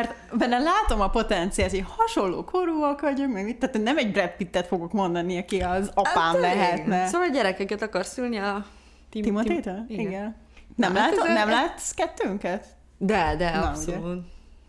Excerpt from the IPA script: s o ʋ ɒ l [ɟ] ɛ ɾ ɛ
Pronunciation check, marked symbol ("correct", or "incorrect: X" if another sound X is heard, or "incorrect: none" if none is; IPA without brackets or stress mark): correct